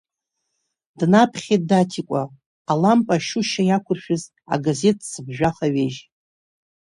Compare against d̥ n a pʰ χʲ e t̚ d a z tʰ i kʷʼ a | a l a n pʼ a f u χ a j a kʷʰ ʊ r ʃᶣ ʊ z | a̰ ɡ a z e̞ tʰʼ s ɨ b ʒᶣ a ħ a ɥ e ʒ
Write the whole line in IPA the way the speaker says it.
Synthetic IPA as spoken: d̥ n a pʰ χʲ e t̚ d a tʰ i kʷʼ a | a l a m pʼ a ʃ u ʃ a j a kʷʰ ʊ r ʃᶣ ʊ z | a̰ ɡ a z e̞ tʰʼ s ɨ b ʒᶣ a χ a ɥ e ʒ